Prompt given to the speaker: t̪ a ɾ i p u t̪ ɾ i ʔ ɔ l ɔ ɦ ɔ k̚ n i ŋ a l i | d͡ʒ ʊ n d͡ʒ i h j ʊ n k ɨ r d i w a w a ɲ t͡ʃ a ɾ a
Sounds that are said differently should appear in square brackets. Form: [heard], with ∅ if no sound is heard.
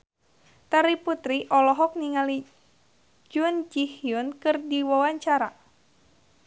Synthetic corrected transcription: t̪ a ɾ i p u t̪ ɾ i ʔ ɔ l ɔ ɦ ɔ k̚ n i ŋ a l i | d͡ʒ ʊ n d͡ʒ i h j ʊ n k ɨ r d i w a w a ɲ t͡ʃ a ɾ a